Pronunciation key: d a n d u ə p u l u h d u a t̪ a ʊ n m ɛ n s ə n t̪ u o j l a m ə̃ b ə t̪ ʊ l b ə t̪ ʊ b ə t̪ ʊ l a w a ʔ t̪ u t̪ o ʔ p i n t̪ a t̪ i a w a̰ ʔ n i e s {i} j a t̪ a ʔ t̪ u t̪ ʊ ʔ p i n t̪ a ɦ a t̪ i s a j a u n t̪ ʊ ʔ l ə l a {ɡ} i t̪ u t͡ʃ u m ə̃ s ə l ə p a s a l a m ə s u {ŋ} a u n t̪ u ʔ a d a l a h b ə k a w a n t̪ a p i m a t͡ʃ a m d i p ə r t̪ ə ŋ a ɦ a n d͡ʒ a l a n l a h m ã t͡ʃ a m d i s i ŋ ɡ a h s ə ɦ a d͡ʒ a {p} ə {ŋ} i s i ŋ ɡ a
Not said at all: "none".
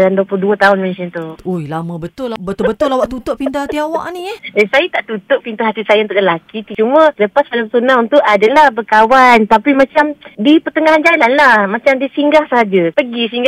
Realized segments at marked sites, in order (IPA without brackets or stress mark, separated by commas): a, k, n, p, ɡ